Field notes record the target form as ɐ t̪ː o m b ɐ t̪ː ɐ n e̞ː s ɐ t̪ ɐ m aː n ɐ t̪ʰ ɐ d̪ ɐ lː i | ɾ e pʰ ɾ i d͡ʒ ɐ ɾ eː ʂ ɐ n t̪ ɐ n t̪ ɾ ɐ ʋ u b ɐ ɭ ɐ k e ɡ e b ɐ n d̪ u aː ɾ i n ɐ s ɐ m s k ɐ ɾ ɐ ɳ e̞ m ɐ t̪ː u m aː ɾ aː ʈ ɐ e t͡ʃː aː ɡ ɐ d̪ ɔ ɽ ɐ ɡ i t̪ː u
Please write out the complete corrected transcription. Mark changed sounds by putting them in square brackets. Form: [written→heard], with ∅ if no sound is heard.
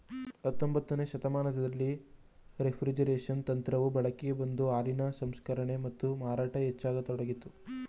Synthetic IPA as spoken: ɐ t̪ː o m b ɐ t̪ː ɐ n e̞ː [s→ʃ] ɐ t̪ ɐ m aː n ɐ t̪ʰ ɐ d̪ ɐ lː i | ɾ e pʰ ɾ i d͡ʒ ɐ ɾ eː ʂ ɐ n t̪ ɐ n t̪ ɾ ɐ ʋ u b ɐ ɭ ɐ k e ɡ e b ɐ n d̪ u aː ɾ i n ɐ s ɐ m s k ɐ ɾ ɐ ɳ e̞ m ɐ t̪ː u m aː ɾ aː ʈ ɐ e t͡ʃː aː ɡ ɐ [d̪→t̪] ɔ ɽ ɐ ɡ i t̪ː u